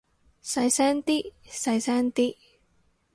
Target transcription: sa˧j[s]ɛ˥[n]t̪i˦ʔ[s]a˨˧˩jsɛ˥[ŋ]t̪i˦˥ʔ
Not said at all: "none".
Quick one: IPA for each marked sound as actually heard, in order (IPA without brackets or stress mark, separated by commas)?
s, n, s, n